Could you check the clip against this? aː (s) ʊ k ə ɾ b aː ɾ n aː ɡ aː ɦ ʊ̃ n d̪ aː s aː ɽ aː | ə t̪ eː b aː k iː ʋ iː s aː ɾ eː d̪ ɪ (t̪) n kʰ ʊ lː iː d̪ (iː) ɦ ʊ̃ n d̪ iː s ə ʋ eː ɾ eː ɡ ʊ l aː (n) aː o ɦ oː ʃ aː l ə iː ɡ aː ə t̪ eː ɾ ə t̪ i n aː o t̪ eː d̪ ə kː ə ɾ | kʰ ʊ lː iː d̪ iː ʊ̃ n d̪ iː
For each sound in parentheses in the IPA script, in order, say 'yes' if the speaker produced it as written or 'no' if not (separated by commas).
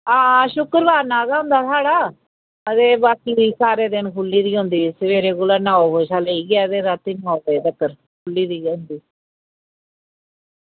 no, no, yes, yes